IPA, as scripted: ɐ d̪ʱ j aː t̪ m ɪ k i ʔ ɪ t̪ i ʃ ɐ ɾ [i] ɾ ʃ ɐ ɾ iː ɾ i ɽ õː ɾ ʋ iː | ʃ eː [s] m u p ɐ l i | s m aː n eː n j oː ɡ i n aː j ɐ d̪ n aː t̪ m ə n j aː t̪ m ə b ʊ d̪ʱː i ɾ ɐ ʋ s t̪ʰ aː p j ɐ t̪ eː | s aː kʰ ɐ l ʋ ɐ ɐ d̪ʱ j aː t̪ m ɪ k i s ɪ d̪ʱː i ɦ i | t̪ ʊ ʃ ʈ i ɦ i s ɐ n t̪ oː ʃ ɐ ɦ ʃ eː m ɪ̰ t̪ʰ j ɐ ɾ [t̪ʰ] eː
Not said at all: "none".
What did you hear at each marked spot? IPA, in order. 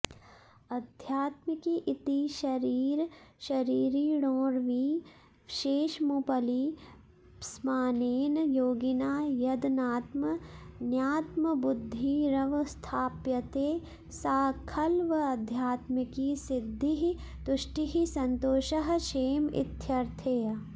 iː, ʃ, t̪ʰ

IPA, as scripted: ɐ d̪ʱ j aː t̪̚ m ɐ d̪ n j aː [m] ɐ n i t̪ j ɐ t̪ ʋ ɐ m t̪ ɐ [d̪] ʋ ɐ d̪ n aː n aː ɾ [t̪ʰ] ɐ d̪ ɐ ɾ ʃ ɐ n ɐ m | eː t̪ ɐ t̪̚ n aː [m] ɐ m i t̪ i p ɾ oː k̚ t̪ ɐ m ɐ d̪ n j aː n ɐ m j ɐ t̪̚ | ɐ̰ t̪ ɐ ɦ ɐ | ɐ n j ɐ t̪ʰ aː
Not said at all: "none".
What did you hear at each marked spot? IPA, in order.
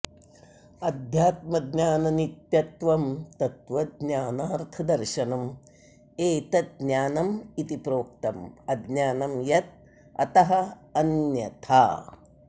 n, t̪, t̪ʰ, n

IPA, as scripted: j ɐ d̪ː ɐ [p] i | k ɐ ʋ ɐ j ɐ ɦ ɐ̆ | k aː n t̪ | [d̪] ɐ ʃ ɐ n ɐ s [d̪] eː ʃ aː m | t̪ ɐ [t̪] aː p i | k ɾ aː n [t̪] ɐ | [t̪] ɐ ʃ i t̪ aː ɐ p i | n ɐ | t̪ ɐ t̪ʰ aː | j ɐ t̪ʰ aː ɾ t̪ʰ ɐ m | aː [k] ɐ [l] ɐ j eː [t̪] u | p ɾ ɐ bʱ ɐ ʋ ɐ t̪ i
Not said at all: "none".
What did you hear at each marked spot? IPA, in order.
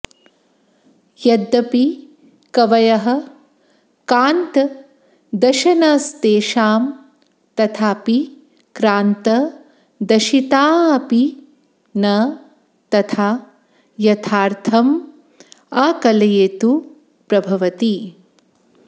p, d̪, t̪, t̪ʰ, t̪, d̪, k, l, t̪

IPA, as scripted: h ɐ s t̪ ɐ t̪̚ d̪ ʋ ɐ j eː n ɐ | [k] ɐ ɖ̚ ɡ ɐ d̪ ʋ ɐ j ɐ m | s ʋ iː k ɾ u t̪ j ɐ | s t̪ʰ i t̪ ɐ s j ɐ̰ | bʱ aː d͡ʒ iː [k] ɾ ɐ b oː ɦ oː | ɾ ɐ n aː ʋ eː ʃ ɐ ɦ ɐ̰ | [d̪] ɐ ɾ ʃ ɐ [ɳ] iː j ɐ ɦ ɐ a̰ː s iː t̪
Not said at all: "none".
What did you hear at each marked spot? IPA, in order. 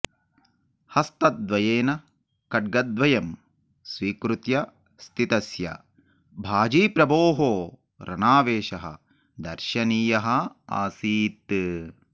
k, p, d̪, n

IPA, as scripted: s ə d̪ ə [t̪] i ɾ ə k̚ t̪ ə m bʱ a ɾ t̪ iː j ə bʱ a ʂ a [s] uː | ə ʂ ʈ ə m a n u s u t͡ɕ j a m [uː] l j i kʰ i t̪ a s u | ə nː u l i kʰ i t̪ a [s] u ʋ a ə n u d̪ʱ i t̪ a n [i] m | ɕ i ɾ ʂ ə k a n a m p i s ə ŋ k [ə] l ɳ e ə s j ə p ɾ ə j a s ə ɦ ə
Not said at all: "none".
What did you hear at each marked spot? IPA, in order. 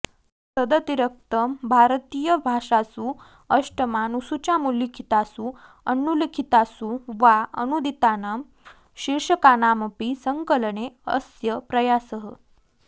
t̪, s, u, s, a, ə

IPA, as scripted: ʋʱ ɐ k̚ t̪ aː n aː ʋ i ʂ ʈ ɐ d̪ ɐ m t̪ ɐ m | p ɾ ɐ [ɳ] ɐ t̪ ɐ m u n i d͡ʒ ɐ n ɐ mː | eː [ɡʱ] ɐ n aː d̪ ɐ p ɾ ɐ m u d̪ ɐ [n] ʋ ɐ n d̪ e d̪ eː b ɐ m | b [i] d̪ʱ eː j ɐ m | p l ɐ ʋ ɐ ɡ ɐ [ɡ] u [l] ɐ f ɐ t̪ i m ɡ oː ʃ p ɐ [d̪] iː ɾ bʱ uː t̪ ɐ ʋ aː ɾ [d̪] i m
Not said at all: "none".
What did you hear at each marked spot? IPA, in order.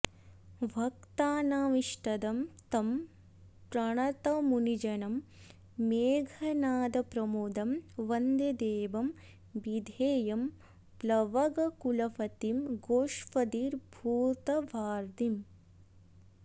ɳ, ɡʱ, m, i, k, l, d̪, d̪

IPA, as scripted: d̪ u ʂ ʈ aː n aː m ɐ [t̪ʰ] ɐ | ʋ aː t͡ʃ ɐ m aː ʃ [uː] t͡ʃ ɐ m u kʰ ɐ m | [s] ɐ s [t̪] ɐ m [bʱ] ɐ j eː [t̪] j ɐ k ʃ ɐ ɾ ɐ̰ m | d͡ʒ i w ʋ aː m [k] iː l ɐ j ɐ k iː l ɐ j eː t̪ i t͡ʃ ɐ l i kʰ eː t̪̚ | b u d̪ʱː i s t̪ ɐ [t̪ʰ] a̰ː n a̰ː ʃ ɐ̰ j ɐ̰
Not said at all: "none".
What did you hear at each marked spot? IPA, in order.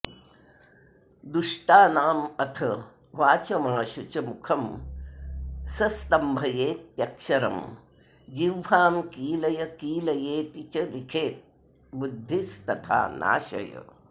t̪ʰ, u, s, t̪, bʱ, t̪, k, t̪ʰ

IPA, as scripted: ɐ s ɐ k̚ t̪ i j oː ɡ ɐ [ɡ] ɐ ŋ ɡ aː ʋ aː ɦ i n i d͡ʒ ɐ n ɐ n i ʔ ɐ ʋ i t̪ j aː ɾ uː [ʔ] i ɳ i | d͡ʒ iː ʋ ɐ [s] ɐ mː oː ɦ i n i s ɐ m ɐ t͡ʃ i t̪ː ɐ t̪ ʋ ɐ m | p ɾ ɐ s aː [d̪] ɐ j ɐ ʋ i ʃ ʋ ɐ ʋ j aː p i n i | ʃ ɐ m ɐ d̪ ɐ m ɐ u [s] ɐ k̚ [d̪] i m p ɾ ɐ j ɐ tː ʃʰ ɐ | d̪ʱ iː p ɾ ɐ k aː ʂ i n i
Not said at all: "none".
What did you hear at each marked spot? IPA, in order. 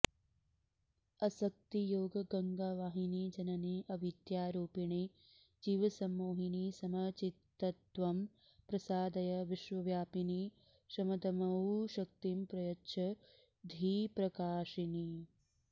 ɡ, p, s, d̪, ʃ, t̪

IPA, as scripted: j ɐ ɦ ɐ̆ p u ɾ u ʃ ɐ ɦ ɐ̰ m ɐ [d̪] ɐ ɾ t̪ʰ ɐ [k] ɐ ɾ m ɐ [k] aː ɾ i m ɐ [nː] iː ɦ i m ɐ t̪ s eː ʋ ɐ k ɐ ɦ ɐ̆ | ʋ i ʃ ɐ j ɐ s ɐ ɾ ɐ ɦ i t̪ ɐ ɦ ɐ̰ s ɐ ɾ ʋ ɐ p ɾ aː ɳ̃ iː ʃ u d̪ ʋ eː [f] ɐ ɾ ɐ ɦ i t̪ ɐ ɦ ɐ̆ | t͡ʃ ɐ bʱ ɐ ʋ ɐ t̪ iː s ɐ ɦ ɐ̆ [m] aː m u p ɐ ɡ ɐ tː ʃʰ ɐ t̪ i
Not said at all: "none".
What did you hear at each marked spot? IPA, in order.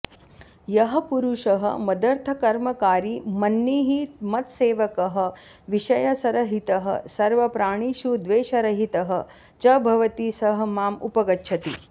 d̪, k, k, nː, ʃ, m

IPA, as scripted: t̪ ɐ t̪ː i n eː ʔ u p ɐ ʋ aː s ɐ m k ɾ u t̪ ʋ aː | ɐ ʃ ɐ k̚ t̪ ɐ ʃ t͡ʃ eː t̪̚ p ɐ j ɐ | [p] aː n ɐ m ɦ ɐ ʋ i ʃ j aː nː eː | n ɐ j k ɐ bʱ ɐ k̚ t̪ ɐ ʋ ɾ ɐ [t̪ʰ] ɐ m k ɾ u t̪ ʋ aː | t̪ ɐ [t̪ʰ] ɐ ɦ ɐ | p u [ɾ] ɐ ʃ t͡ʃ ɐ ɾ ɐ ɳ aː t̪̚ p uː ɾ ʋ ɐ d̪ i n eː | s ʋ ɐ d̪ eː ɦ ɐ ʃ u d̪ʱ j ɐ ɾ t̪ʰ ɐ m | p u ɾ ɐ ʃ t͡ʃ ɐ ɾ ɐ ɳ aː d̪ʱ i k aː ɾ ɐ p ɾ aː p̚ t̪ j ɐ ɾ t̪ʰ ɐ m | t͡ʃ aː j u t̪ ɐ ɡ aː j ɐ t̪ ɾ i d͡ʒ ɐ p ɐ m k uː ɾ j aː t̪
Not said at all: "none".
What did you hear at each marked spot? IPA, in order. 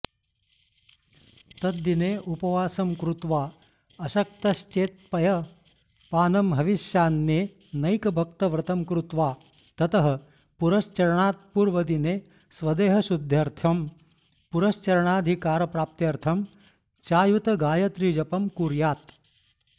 p, t̪, t̪, ɾ

